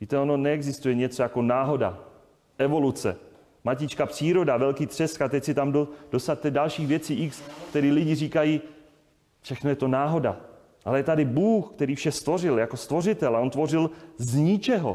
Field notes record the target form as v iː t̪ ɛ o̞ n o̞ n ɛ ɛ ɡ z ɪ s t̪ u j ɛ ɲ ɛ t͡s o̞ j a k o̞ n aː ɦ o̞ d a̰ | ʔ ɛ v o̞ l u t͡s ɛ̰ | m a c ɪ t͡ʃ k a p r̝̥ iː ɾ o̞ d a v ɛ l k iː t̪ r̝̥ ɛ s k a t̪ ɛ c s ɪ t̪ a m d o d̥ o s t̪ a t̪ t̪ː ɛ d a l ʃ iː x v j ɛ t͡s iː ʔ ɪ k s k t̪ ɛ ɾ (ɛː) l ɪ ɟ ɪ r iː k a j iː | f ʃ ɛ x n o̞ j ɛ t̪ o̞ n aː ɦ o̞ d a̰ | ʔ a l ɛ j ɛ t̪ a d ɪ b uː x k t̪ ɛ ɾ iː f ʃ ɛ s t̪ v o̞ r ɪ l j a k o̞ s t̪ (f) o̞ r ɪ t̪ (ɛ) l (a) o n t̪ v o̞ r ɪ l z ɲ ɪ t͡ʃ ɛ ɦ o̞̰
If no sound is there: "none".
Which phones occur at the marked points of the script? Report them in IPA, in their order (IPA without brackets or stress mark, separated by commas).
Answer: iː, v, ɛ, a